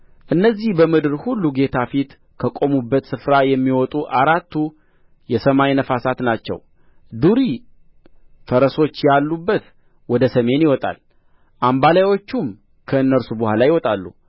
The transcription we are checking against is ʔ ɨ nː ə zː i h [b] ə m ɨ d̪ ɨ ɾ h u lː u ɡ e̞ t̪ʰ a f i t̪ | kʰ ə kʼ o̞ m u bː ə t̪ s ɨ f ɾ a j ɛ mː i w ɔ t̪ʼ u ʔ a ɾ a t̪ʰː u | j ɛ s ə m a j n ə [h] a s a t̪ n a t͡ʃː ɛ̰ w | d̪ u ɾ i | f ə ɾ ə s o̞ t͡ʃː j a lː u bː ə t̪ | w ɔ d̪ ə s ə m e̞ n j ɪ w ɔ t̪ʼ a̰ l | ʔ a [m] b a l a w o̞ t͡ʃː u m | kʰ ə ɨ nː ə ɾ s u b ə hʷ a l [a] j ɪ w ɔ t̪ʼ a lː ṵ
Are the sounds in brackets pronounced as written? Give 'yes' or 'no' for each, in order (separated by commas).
yes, no, yes, yes